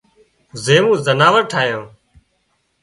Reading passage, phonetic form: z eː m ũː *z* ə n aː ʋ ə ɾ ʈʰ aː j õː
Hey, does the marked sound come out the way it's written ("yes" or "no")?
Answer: yes